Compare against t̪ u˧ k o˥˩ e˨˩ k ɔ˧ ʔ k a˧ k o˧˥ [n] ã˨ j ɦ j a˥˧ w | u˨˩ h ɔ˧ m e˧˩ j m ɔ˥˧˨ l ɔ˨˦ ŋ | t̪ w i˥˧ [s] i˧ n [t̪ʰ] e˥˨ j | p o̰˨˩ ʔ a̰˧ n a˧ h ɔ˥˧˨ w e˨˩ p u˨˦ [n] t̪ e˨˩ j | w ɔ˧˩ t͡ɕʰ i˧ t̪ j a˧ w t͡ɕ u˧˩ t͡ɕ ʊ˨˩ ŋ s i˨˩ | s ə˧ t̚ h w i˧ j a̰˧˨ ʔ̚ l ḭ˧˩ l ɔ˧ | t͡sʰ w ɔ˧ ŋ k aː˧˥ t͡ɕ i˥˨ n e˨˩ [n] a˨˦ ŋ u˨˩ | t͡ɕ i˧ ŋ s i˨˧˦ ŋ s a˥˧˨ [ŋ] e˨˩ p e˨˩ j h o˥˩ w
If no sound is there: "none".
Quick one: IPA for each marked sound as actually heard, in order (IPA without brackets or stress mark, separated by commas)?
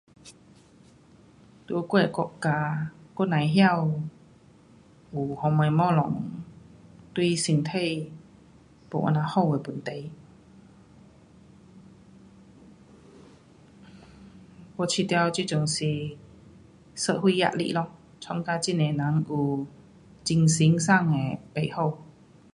n, s, t̪ʰ, n, n, ŋ